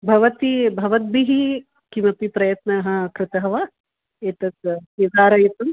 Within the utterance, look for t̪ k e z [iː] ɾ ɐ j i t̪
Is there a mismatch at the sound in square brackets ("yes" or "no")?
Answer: yes